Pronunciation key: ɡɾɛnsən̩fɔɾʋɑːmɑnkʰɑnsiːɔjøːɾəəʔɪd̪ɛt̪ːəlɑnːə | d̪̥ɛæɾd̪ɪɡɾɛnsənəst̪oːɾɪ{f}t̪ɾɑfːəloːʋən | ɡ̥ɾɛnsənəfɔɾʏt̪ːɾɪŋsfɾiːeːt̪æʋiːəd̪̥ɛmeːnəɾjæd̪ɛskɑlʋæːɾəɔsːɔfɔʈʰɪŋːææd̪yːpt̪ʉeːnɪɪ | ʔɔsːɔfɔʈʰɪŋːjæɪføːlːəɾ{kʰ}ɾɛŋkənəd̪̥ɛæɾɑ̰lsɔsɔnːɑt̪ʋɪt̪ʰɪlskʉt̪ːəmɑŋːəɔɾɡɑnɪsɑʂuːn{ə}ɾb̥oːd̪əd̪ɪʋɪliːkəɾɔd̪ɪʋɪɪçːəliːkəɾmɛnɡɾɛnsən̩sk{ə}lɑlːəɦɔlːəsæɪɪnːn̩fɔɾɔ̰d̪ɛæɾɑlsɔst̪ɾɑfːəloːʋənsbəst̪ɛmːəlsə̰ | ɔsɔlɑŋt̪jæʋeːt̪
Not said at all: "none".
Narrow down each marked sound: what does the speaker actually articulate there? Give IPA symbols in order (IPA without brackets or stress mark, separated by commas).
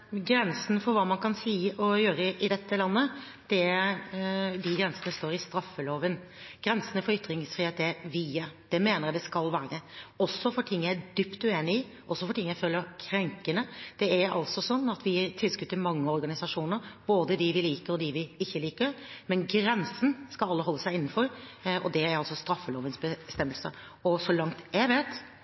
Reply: s, kʰ, ə, ɑ